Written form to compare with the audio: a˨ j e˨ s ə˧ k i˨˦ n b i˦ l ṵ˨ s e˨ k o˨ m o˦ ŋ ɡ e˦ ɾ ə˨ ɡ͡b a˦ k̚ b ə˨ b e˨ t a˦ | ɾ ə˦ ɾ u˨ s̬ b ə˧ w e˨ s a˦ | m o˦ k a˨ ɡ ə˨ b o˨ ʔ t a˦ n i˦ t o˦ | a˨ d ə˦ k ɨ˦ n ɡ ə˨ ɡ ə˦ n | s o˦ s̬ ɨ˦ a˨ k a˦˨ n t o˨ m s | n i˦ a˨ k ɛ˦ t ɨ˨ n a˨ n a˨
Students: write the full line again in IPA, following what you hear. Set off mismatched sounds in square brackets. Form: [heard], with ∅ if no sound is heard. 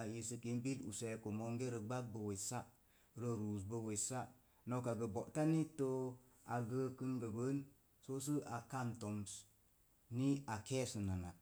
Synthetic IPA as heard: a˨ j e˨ s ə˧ k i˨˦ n b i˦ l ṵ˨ s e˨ k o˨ m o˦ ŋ ɡ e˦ ɾ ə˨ ɡ͡b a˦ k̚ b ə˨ [w] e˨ [s] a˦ | ɾ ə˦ ɾ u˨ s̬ b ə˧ w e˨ s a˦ | [n] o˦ k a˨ ɡ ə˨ b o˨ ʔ t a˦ n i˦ t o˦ | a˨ [ɡ] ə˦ k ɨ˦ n ɡ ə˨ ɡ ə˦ n | s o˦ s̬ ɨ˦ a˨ k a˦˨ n t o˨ m s | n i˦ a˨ k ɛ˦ [s] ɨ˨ n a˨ n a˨